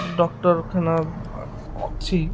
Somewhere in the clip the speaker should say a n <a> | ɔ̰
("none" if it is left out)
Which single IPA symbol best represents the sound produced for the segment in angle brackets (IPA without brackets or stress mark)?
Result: a